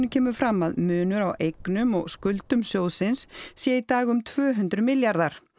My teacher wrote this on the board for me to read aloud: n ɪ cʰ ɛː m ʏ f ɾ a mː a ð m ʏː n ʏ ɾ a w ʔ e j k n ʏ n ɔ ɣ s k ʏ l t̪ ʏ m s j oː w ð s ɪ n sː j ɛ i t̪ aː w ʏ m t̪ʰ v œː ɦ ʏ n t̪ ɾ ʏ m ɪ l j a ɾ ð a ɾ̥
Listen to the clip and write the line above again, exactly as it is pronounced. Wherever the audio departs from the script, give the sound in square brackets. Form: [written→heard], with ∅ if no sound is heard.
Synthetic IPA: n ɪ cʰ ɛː m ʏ f ɾ a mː a ð m ʏː n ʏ ɾ a w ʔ e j k n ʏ [n→m] ɔ ɣ s k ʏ l t̪ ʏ m s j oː w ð s ɪ n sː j ɛ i t̪ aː [w→ɣ] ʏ m t̪ʰ v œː ɦ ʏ n t̪ ɾ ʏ m ɪ l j a ɾ ð a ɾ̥